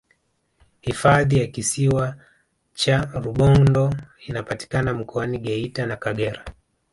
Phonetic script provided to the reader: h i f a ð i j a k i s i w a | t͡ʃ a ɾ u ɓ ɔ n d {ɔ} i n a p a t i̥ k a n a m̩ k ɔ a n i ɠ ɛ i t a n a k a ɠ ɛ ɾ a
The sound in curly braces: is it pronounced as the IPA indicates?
yes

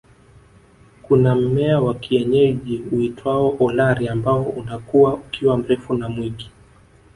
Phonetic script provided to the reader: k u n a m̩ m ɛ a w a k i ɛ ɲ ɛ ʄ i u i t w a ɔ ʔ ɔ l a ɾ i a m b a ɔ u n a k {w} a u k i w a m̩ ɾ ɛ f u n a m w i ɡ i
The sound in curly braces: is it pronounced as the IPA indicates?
no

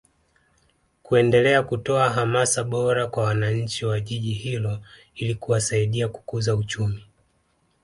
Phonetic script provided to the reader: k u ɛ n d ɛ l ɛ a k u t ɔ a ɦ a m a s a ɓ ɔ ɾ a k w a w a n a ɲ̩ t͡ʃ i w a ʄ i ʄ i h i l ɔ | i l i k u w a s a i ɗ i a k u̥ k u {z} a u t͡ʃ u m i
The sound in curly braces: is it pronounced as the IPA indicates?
yes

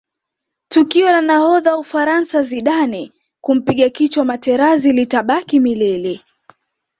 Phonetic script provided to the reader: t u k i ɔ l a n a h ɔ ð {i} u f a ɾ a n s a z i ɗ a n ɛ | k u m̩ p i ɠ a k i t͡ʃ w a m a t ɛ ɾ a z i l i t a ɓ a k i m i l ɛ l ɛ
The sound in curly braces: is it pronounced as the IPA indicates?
no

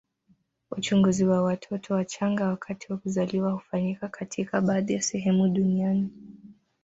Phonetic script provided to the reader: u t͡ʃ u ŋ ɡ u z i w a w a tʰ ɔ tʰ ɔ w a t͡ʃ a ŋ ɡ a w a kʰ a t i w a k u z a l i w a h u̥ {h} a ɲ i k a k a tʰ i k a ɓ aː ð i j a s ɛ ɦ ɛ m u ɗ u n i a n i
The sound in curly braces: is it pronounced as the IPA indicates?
no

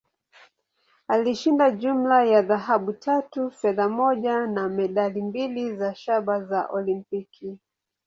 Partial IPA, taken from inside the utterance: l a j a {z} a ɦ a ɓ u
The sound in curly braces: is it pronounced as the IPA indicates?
no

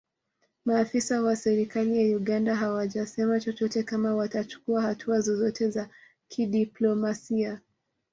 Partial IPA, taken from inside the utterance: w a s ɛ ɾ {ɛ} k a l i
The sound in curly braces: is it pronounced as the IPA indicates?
no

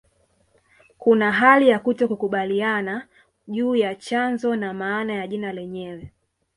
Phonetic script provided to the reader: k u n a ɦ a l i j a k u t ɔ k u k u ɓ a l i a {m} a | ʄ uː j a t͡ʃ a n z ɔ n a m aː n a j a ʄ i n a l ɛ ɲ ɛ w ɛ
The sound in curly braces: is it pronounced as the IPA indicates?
no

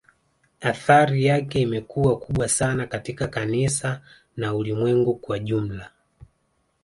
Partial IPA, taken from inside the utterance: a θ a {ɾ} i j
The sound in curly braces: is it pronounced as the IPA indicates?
yes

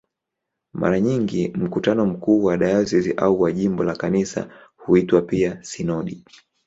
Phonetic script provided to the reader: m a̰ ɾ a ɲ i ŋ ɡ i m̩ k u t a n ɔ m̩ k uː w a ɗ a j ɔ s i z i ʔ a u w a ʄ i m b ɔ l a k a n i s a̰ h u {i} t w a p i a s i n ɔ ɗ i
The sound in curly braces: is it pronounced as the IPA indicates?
yes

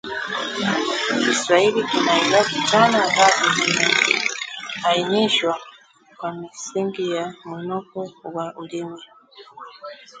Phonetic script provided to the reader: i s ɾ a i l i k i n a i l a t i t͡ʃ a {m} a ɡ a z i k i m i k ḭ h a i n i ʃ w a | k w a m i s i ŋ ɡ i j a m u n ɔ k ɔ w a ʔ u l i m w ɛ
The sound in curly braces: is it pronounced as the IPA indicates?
no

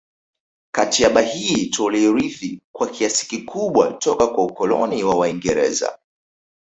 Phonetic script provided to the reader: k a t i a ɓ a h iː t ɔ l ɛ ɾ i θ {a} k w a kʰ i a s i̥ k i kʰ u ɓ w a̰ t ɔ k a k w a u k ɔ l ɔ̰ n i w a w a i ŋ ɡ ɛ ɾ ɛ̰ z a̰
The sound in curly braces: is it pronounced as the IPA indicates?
no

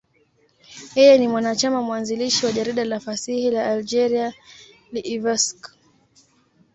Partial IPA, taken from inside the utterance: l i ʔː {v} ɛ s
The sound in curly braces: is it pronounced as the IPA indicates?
yes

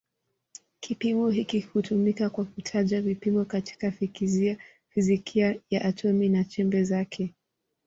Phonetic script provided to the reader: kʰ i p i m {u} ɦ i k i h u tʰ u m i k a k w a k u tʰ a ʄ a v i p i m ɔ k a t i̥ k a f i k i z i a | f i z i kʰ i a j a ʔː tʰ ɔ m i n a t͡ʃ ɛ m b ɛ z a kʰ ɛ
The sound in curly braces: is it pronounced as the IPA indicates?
no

